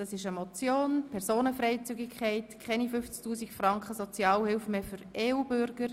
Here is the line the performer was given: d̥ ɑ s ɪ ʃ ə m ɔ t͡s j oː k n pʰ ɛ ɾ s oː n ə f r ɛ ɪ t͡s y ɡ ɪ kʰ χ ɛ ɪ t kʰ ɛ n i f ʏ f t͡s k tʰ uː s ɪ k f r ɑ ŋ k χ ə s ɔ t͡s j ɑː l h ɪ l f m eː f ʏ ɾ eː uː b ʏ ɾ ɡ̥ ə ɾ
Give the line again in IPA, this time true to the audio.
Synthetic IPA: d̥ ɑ s ɪ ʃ ə m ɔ t͡s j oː n pʰ ɛ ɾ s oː n ə f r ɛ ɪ t͡s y ɡ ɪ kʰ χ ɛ ɪ t kʰ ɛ n i f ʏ f t͡s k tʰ uː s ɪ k f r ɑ ŋ k χ ə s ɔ t͡s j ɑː l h ɪ l f m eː f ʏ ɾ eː uː b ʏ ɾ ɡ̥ ə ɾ